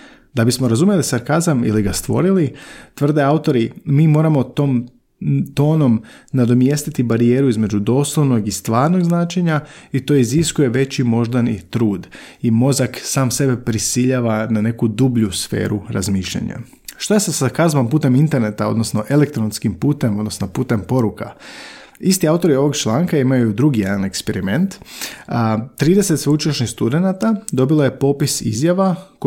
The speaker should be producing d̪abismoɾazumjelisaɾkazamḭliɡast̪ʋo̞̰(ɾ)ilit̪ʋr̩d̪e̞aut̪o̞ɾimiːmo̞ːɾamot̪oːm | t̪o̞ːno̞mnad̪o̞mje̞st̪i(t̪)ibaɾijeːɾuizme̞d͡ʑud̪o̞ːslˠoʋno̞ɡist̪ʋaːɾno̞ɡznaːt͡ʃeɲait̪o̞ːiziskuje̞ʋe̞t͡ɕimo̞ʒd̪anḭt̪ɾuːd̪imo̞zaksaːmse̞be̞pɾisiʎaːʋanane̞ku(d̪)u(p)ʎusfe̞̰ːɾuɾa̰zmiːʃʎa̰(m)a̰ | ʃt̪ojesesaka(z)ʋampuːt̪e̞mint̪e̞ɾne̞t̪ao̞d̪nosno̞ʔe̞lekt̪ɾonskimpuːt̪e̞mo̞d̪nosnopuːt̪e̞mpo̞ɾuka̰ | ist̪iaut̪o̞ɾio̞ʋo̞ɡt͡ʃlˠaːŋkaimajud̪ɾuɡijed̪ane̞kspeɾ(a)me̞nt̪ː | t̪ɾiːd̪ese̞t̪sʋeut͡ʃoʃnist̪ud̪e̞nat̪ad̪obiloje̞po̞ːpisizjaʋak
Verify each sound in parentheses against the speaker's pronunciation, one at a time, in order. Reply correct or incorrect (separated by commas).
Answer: correct, correct, correct, incorrect, incorrect, correct, incorrect